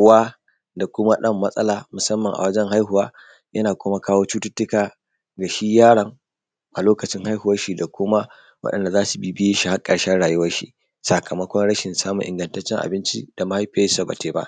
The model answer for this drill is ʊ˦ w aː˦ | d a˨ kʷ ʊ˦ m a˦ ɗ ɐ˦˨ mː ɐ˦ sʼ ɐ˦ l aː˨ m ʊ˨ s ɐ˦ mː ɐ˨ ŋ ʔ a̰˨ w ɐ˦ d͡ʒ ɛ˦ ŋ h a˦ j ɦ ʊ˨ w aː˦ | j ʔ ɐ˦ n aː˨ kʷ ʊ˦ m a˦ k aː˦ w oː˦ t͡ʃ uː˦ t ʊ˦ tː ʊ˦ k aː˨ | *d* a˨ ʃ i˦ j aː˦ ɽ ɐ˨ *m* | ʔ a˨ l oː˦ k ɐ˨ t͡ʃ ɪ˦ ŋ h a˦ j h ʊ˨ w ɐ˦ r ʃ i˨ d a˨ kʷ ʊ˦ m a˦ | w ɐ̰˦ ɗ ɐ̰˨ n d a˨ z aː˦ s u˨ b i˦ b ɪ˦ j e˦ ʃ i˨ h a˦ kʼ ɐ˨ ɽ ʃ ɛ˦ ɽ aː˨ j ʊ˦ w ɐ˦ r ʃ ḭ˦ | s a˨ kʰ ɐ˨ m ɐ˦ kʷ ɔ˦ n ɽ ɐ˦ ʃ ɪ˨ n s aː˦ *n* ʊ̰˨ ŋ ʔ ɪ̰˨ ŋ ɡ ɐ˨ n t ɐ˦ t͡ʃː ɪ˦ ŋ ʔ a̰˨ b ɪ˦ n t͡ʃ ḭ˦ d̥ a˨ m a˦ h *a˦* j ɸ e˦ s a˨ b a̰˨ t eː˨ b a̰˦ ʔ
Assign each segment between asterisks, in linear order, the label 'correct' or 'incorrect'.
incorrect: ɡ, incorrect: ŋ, incorrect: m, correct

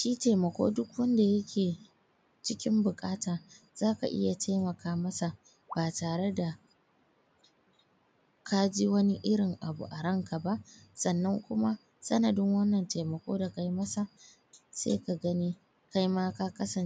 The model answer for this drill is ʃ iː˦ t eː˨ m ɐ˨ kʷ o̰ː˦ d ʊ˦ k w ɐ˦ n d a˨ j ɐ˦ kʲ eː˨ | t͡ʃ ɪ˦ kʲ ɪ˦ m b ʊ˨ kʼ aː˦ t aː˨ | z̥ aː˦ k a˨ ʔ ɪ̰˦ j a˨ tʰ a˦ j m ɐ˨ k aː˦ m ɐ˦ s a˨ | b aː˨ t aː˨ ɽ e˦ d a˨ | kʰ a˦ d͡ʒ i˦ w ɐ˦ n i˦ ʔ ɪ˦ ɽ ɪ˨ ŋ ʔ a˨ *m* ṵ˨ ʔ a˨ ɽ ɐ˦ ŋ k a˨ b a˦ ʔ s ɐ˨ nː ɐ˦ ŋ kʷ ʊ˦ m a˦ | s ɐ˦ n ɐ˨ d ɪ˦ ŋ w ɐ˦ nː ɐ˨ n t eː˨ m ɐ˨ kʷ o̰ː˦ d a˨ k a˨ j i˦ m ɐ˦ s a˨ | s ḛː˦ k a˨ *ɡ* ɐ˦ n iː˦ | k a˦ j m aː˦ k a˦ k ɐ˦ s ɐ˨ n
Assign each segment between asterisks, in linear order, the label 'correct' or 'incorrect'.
incorrect: b, correct

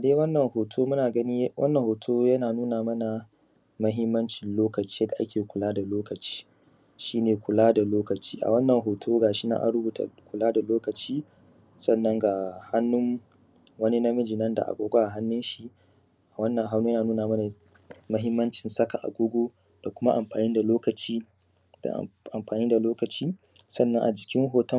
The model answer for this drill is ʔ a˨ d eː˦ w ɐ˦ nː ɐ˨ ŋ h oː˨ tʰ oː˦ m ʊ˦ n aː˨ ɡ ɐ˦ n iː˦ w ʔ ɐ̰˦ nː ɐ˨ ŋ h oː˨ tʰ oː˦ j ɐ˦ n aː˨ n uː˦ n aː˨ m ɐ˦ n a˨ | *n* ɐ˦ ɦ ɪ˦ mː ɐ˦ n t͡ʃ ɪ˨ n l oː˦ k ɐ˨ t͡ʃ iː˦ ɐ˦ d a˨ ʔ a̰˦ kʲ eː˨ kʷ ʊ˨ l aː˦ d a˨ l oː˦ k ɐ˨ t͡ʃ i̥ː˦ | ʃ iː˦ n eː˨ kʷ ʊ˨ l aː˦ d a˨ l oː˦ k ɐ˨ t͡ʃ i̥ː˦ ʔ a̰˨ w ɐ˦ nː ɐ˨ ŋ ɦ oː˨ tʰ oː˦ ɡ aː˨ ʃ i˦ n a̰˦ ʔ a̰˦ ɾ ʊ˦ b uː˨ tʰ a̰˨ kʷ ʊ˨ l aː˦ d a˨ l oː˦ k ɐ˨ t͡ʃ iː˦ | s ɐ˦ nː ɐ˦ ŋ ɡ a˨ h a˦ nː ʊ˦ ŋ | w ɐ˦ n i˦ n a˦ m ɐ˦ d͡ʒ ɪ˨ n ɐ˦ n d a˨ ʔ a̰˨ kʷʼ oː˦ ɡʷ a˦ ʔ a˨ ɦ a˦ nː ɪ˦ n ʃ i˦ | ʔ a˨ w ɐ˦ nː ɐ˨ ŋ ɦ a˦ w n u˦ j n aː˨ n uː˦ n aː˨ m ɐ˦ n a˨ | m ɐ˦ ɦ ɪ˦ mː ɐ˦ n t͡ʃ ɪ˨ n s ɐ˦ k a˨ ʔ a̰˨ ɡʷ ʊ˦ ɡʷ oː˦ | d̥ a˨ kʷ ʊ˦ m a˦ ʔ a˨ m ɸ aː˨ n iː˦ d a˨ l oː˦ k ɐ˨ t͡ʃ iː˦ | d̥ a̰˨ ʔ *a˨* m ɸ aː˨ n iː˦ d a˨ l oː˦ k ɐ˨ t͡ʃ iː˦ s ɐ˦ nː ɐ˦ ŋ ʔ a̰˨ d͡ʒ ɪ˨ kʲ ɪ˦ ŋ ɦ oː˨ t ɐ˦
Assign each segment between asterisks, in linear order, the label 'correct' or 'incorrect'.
incorrect: m, correct

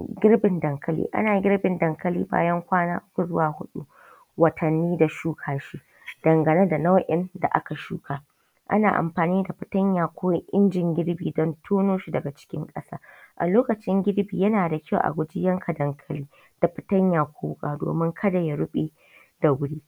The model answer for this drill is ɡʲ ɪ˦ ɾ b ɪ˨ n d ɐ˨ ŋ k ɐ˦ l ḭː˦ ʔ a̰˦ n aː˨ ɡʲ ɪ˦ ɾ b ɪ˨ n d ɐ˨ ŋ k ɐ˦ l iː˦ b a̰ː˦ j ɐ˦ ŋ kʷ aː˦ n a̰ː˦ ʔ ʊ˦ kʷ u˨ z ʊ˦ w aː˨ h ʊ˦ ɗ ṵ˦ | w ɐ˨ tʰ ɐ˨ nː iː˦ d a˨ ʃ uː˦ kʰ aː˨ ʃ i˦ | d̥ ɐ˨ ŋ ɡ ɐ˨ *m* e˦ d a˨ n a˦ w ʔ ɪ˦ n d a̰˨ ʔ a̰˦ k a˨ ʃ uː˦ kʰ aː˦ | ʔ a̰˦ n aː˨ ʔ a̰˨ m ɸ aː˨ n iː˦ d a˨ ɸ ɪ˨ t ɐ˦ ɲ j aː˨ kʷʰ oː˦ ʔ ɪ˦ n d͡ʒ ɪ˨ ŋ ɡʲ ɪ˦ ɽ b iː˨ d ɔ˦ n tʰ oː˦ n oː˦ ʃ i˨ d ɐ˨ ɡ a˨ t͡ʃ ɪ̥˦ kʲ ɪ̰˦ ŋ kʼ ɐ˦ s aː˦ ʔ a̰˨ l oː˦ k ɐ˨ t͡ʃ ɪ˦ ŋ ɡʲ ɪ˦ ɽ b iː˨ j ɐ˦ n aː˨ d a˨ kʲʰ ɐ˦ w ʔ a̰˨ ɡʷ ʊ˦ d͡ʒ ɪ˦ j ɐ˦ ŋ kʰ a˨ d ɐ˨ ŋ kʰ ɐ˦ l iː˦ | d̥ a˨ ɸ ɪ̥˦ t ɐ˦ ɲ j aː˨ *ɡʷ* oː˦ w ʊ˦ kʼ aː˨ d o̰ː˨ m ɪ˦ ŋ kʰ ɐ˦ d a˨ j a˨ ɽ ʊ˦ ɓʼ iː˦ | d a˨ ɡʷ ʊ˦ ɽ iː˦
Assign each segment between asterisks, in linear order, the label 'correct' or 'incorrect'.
incorrect: n, incorrect: kʷ

